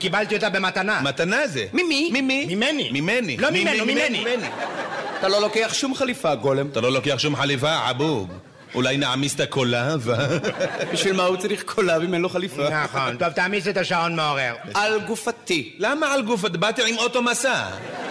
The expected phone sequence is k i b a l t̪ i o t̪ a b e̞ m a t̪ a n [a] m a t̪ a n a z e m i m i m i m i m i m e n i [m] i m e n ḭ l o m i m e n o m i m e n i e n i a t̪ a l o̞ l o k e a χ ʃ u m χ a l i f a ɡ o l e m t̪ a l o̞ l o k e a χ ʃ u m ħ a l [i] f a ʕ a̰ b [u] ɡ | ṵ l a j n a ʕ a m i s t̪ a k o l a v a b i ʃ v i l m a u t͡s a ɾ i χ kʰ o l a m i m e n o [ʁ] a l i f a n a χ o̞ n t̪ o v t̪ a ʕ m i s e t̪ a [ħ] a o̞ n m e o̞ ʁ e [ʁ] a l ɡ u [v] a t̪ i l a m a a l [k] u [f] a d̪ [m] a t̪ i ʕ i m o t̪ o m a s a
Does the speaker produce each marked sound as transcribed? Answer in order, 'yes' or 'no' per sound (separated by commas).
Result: yes, yes, yes, yes, no, no, yes, no, no, yes, no